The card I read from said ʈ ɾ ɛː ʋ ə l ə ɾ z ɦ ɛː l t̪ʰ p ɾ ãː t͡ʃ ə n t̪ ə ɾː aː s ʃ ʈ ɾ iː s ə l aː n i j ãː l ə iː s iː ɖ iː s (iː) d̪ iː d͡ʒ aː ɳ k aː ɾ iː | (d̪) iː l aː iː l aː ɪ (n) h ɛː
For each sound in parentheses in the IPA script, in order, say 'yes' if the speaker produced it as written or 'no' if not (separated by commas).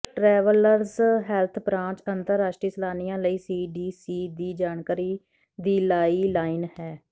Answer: yes, yes, yes